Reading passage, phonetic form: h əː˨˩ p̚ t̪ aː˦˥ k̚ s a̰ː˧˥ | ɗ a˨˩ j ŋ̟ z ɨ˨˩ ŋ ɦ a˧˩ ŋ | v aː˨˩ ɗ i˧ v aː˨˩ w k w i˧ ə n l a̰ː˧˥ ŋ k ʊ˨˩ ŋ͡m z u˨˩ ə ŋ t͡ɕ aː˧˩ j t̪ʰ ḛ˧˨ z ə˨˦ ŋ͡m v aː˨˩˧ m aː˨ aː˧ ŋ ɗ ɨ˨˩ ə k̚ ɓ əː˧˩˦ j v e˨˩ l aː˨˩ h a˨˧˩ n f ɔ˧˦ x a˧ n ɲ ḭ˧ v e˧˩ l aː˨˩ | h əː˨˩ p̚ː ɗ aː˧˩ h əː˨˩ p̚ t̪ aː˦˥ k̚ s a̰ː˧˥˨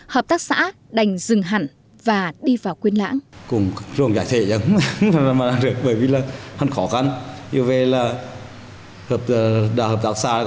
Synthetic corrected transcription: h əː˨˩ p̚ t̪ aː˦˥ k̚ s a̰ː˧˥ | ɗ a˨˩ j ŋ̟ z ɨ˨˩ ŋ ɦ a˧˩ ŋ | v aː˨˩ ɗ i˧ v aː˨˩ w k w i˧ ə n l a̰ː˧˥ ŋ k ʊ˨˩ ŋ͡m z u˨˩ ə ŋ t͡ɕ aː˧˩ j t̪ʰ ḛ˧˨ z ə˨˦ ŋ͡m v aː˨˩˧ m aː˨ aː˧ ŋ ɗ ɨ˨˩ ə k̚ ɓ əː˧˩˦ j v i˨˩ l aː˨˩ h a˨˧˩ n x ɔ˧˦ x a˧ n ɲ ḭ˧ v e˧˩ l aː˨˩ | h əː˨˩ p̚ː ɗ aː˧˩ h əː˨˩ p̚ t̪ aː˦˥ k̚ s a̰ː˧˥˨